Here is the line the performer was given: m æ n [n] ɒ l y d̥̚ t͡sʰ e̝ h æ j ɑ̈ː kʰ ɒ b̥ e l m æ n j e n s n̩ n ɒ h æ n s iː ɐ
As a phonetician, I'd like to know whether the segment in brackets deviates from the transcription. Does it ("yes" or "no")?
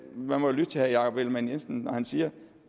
yes